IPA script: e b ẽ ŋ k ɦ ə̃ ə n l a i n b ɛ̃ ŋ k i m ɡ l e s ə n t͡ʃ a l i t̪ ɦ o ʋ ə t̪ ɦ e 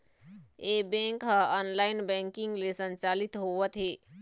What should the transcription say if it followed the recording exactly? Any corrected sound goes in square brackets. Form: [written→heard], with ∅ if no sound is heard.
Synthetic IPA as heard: e b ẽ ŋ k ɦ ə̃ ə n l a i n b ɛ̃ ŋ k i [m→ŋ] ɡ l e s ə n t͡ʃ a l i t̪ ɦ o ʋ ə t̪ ɦ e